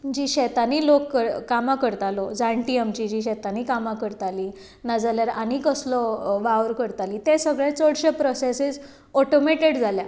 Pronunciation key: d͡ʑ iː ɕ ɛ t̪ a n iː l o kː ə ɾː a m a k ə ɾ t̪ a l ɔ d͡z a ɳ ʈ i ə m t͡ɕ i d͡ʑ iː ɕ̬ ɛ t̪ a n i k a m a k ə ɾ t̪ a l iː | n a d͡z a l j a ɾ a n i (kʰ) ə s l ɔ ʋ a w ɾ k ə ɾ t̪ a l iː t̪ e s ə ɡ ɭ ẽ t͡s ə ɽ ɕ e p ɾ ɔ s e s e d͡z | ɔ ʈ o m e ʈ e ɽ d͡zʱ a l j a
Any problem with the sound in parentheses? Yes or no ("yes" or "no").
yes